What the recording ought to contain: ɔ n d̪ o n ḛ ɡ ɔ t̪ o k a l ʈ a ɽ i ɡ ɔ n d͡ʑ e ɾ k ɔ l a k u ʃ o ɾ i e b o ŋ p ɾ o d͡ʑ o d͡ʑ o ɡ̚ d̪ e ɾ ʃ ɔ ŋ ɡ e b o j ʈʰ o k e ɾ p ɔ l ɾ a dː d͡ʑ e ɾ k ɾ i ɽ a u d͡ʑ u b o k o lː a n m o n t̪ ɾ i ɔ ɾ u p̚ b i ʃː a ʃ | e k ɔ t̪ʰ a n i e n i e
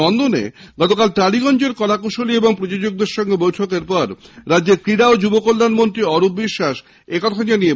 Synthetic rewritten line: ɔ n d̪ o n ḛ ɡ ɔ t̪ o k a l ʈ a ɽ i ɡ ɔ n d͡ʑ e ɾ k ɔ l a k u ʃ o l i e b o ŋ p ɾ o d͡ʑ o d͡ʑ o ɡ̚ d̪ e ɾ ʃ ɔ ŋ ɡ e b o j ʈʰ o k e ɾ p ɔ ɾ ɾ a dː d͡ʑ e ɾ k ɾ i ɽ a o d͡ʑ u b o k o lː a n m o n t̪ ɾ i ɔ ɾ u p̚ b i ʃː a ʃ | e k ɔ t̪ʰ a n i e n i e

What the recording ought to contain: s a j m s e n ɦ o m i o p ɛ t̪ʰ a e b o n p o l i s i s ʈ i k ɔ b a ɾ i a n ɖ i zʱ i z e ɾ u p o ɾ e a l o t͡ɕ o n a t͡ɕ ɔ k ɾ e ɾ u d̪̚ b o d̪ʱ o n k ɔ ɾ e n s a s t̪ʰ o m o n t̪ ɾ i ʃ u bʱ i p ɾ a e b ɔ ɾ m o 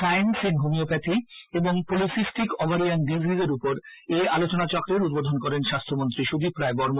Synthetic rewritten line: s a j n s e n ɦ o m i o p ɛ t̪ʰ i e b o ŋ p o l i s i s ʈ i k ɔ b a ɾ i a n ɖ i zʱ i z e ɾ u p o ɾ e a l o t͡ɕ o n a t͡ɕ ɔ k ɾ e ɾ u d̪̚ b o d̪ʱ o n k ɔ ɾ e n ʃ a s t̪ʰ o m o n t̪ ɾ i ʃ u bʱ i p ɾ a e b ɔ ɾ m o

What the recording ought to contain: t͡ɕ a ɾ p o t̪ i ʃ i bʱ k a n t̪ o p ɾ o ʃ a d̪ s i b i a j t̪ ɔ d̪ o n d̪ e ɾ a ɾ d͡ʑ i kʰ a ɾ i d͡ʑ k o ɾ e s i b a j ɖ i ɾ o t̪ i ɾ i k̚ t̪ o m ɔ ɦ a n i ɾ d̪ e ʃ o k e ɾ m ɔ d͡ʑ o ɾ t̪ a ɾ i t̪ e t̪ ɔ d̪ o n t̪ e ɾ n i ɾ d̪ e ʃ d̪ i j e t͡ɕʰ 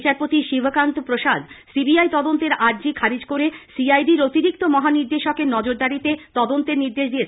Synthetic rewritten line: t͡ɕ a ɾ p o t̪ i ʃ i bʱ k a n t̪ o p ɾ o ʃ a d̪ s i b i a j t̪ ɔ d̪ o n t̪ e ɾ a ɾ d͡ʑ i kʰ a ɾ i d͡ʑ k o ɾ e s i a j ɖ i ɾ o t̪ i ɾ i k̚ t̪ o m ɔ ɦ a n i ɾ d̪ e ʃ o k e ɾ n ɔ d͡ʑ o ɾ d̪ a ɾ i t̪ e t̪ ɔ d̪ o n t̪ e ɾ n i ɾ d̪ e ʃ d̪ i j e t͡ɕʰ

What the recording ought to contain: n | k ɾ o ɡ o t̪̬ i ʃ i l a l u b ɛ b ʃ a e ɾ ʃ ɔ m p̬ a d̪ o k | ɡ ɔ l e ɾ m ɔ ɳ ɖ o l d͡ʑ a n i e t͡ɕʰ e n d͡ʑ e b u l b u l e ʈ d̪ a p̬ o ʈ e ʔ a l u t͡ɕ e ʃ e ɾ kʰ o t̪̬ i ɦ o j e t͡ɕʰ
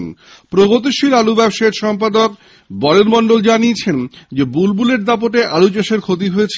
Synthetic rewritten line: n | p ɾ o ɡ o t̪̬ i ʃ i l a l u b ɛ b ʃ a e ɾ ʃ ɔ m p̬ a d̪ o k | b ɔ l e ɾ m ɔ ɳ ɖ o l d͡ʑ a n i e t͡ɕʰ e n d͡ʑ e b u l b u l e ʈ d̪ a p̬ o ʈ e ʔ a l u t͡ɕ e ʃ e ɾ kʰ o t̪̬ i ɦ o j e t͡ɕʰ

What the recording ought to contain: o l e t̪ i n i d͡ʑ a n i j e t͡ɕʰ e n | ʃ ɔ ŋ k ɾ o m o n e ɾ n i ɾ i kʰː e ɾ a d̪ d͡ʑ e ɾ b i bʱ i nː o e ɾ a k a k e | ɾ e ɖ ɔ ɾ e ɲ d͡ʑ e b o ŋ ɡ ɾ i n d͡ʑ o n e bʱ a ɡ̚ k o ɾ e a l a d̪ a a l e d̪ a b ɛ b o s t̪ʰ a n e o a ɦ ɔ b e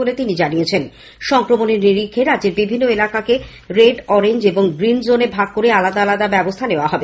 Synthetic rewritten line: o l e t̪ i n i d͡ʑ a n i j e t͡ɕʰ e n | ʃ ɔ ŋ k ɾ o m o n e ɾ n i ɾ i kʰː e ɾ a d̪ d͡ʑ e ɾ b i bʱ i nː o e l a k a k e | ɾ e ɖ ɔ ɾ e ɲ d͡ʑ e b o ŋ ɡ ɾ i n d͡ʑ o n e bʱ a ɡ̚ k o ɾ e a l a d̪ a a l a d̪ a b ɛ b o s t̪ʰ a n e o a ɦ ɔ b e

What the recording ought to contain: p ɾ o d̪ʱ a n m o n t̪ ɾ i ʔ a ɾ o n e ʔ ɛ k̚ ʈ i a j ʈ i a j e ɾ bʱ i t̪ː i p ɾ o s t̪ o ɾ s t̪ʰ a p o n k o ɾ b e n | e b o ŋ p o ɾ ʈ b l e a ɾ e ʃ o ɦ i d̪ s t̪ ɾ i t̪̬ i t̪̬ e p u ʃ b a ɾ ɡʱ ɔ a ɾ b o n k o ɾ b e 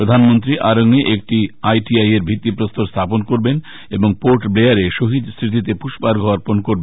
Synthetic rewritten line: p ɾ o d̪ʱ a n m o n t̪ ɾ i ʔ a ɾ o ŋ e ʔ e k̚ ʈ i a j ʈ i a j e ɾ bʱ i t̪ː i p ɾ o s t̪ o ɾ s t̪ʰ a p o n k o ɾ b e n | e b o ŋ p o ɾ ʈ b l e a ɾ e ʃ o ɦ i d̪ s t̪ ɾ i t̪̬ i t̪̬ e p u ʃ b a ɾ ɡʱ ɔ a ɾ p o n k o ɾ b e

